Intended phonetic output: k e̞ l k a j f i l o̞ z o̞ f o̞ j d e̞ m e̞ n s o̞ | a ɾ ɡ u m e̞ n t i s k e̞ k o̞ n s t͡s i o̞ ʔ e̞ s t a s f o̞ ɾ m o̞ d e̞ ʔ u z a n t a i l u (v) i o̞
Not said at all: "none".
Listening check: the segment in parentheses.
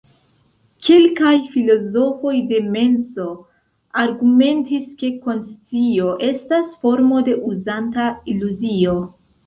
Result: z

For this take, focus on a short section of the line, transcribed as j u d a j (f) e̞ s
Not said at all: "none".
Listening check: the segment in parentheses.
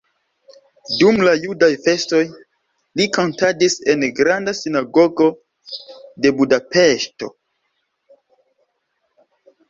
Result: f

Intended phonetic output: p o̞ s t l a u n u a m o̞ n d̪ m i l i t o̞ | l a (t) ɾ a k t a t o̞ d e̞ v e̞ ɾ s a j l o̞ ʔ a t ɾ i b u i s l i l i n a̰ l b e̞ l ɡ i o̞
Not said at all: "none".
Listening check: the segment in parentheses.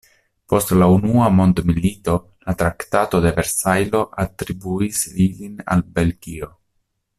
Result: t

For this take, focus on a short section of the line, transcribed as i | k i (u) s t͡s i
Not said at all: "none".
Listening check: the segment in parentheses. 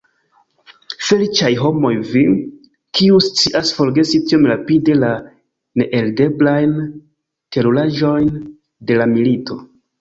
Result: u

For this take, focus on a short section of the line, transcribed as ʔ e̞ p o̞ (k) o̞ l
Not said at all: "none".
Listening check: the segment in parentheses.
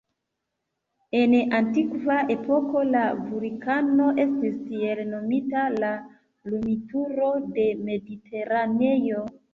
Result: k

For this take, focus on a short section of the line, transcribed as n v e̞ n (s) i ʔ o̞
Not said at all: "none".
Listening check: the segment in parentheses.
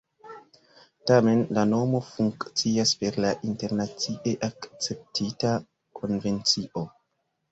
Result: t͡s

